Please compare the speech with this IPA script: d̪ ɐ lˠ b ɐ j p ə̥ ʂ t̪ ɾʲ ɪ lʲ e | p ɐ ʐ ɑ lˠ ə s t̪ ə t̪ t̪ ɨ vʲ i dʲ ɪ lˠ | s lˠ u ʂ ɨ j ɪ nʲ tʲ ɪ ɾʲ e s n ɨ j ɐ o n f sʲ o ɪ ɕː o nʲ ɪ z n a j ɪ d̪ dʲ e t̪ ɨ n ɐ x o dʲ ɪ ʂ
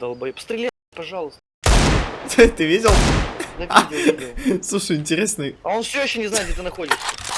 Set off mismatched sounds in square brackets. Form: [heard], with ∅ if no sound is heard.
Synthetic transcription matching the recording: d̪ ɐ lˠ b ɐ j p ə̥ [s] t̪ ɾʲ ɪ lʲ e | p ɐ ʐ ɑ lˠ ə s t̪ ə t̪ t̪ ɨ vʲ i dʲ ɪ lˠ | s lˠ u ʂ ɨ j ɪ nʲ tʲ ɪ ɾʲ e s n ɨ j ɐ o n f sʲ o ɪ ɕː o nʲ ɪ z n a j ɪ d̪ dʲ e t̪ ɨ n ɐ x o dʲ ɪ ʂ